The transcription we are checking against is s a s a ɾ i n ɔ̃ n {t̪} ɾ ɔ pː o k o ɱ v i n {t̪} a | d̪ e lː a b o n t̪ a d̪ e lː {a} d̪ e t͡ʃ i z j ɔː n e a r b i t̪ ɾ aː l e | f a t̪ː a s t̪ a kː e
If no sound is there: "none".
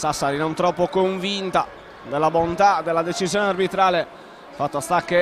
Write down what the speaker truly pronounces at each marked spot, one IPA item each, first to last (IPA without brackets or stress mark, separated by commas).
t̪, t̪, a